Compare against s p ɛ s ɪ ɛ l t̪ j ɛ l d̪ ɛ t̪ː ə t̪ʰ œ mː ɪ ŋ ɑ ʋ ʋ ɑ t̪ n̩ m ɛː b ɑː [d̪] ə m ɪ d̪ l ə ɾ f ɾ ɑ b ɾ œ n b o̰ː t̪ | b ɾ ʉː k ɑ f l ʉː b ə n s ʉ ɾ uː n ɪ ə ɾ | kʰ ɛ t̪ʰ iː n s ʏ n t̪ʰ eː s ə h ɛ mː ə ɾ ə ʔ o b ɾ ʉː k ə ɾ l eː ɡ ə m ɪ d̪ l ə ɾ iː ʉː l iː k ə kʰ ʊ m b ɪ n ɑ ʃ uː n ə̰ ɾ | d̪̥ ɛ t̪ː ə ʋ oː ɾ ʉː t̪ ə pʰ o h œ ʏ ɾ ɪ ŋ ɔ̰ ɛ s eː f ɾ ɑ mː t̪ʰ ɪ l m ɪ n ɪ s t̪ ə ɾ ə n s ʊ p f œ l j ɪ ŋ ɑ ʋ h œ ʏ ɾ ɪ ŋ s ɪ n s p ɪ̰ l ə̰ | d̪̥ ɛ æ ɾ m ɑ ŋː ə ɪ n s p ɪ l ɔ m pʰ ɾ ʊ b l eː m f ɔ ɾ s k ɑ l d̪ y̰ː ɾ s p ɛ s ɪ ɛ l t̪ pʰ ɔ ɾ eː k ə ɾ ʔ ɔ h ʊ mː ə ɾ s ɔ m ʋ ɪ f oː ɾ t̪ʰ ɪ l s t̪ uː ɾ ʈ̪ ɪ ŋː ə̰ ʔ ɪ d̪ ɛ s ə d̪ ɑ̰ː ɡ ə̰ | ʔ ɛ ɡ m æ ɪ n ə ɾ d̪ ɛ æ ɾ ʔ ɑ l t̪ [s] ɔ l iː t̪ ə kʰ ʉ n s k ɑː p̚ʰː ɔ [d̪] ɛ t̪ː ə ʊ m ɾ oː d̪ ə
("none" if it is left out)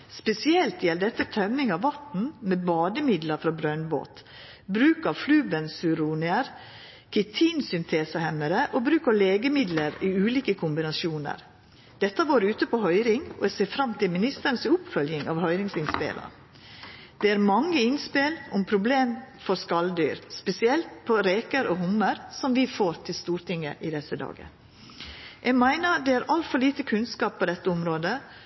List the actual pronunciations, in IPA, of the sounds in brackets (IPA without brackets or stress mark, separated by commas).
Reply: d̪, f, d̪